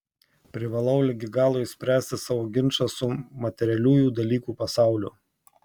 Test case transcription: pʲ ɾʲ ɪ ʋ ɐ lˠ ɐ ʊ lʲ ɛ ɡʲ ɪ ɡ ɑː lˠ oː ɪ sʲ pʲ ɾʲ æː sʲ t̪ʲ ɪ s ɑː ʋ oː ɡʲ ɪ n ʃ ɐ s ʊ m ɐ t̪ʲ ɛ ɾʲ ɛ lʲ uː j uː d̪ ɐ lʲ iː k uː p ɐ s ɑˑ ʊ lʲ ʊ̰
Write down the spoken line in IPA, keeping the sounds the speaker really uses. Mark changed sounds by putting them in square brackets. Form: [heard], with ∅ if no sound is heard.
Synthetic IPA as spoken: pʲ ɾʲ ɪ ʋ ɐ lˠ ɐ ʊ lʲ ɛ ɡʲ ɪ ɡ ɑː lˠ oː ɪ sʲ pʲ ɾʲ æː sʲ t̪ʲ ɪ s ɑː ʋ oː ɡʲ ɪ n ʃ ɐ s ʊ m ɐ t̪ʲ ɛ ɾʲ ɛ lʲ uː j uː d̪ ɐ lʲ iː k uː p ɐ s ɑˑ ʊ lʲ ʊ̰